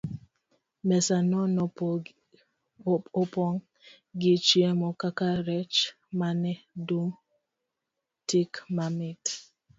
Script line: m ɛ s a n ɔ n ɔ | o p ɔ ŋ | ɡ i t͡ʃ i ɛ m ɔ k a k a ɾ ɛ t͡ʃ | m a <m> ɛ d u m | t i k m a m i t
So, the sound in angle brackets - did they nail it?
no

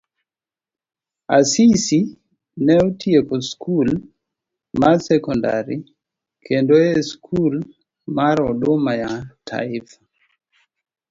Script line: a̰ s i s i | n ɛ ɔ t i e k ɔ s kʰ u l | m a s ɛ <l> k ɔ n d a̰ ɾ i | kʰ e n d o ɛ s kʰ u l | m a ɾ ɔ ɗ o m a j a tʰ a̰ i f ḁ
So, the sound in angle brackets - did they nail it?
no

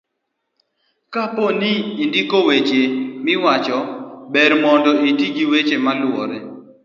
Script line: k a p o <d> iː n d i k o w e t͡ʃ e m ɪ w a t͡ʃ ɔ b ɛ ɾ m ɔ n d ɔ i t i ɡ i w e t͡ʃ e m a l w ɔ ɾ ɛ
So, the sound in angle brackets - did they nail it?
no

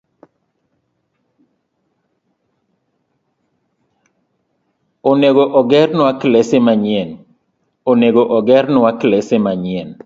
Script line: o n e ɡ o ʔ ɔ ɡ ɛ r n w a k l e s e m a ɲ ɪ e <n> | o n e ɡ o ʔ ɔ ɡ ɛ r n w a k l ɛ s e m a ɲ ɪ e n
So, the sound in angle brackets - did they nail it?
yes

